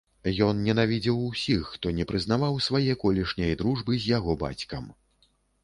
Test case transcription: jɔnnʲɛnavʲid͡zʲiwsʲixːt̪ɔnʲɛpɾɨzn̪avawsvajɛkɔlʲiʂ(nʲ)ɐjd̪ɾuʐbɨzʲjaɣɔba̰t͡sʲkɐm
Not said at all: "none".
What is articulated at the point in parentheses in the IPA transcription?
nʲ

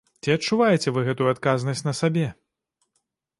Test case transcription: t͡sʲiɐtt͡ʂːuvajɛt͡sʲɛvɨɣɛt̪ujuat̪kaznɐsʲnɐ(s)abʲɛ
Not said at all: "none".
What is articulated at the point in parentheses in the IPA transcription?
s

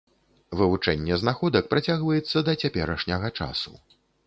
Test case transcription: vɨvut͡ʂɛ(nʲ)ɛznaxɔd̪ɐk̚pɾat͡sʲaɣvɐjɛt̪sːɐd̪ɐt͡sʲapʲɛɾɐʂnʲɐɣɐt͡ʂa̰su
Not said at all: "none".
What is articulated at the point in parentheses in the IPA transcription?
nʲː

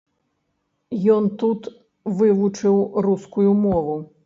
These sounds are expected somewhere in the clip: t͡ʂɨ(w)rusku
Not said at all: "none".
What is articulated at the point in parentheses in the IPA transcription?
w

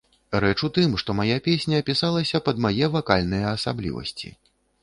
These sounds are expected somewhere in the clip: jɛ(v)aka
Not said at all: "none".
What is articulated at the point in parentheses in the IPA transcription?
v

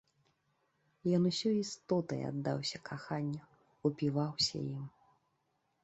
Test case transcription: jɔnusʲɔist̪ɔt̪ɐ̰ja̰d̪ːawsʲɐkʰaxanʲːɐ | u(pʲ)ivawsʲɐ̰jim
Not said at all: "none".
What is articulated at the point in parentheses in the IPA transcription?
pʲ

